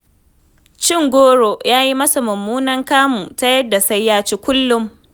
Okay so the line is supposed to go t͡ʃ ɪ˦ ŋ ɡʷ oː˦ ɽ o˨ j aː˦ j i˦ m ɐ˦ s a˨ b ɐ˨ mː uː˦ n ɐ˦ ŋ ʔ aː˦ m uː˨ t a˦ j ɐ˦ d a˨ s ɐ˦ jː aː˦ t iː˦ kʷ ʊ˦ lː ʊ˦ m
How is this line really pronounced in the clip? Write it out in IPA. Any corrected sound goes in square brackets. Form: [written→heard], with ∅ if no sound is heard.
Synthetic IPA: t͡ʃ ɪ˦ ŋ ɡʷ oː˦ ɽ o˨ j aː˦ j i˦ m ɐ˦ s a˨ [b→m] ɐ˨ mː uː˦ n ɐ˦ ŋ [ʔ→k] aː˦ m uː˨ t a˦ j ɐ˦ d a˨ s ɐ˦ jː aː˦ [t→t͡ʃ] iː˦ kʷ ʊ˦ lː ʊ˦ m